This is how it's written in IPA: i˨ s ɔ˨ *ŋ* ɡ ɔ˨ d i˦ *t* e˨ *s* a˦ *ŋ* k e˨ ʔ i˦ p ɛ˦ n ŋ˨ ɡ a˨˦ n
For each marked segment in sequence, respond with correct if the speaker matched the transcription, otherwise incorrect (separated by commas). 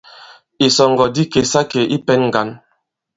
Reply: correct, incorrect, correct, incorrect